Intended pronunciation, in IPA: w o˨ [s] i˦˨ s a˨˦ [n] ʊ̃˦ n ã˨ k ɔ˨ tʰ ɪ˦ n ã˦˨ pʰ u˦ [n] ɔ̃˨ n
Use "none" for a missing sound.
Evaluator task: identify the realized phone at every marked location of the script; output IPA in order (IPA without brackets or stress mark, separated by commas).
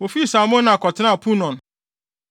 f, m, n